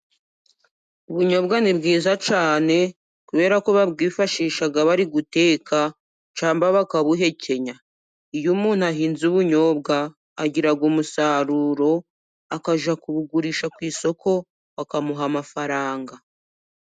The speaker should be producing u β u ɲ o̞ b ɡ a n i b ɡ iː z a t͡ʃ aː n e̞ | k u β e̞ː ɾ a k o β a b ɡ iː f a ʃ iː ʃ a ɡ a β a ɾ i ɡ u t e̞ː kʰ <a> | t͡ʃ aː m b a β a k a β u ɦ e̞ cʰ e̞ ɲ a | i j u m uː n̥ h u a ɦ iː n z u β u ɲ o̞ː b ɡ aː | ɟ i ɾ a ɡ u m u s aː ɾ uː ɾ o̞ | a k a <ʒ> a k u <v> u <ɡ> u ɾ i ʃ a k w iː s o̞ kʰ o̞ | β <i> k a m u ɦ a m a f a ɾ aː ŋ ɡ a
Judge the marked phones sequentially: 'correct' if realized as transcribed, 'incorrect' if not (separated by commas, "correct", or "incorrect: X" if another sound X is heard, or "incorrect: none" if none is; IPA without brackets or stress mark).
correct, correct, incorrect: β, correct, incorrect: a